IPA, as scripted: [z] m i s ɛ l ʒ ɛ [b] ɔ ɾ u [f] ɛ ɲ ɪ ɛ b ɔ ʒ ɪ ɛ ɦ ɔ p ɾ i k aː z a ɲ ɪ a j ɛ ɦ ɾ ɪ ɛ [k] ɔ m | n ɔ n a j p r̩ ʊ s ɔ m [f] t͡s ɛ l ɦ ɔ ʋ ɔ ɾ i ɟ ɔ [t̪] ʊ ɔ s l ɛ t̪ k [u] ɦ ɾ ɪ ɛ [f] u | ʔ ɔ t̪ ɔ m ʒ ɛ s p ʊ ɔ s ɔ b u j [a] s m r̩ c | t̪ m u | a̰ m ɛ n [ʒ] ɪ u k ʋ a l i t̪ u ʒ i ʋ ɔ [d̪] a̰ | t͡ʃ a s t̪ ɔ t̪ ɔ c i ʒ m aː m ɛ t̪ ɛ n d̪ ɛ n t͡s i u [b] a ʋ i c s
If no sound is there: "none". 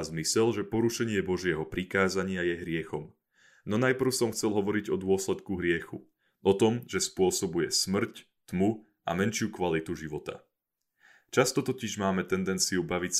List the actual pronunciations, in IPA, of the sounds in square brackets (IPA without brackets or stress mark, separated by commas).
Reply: z, p, ʃ, x, x, d̪, u, x, ɛ, ʃ, t̪, b